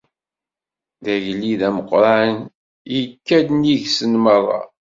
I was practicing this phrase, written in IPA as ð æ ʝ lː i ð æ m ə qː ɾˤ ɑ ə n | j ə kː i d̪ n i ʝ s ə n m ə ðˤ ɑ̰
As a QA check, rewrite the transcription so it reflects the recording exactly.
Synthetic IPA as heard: ð æ ʝ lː i ð æ m ə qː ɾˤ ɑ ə n | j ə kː æ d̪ n i ʝ s ə n m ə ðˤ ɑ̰